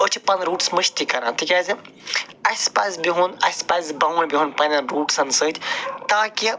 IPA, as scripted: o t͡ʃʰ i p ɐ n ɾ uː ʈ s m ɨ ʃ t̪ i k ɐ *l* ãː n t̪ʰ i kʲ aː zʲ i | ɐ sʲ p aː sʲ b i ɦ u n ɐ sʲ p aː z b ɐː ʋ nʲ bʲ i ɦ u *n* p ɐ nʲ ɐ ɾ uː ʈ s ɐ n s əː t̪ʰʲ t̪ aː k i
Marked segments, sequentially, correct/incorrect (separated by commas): incorrect, correct